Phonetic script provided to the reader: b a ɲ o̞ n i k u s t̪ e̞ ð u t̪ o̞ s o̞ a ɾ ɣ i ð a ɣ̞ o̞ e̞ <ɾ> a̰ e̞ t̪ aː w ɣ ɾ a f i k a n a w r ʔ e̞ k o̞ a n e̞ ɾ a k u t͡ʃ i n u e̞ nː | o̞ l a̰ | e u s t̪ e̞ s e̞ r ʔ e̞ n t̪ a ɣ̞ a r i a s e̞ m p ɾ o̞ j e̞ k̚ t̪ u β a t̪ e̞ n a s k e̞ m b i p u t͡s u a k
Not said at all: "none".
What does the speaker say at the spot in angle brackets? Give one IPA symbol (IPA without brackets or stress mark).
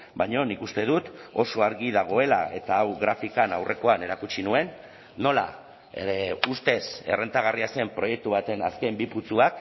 l